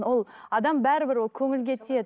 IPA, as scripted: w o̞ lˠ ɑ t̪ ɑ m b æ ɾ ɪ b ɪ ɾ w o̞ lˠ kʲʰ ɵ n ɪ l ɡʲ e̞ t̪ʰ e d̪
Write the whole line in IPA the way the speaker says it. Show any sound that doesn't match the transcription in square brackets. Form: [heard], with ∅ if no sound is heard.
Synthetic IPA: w o̞ lˠ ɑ [d̪] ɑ m b æ ɾ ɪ b ɪ ɾ w o̞ lˠ kʲʰ ɵ [ŋ] ɪ l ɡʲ e̞ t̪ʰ e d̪